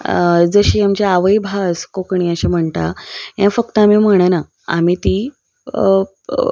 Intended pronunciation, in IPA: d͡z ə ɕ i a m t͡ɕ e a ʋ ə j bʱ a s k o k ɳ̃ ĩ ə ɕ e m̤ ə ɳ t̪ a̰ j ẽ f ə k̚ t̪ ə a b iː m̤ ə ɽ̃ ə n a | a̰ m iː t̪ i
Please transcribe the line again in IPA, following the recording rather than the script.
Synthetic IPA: d͡z ə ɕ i a m t͡ɕ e a ʋ ə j bʱ a s k o k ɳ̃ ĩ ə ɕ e m̤ ə ɳ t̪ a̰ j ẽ f ə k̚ t̪ ə a m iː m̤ ə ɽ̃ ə n a | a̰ m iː t̪ i

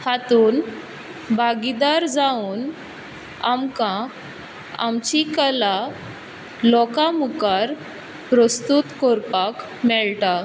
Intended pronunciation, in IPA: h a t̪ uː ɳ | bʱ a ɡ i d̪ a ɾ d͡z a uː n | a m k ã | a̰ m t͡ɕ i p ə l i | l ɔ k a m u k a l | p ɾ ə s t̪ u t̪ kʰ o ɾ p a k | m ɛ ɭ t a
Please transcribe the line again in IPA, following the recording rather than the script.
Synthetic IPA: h a t̪ uː n | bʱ a ɡ i d̪ a ɾ d͡z a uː n | a m k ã | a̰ m t͡ɕ i k ə l a | l ɔ k a m u k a ɾ | p ɾ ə s t̪ u t̪ k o ɾ p a k | m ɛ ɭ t a

